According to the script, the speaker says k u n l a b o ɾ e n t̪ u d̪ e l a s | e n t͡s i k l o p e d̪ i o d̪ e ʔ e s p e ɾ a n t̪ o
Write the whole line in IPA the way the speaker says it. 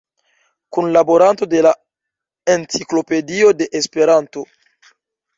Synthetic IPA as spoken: k u n l a b o ɾ a n t̪ o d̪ e l a | e n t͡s i k l o p e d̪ i o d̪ e ʔ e s p e ɾ a n t̪ o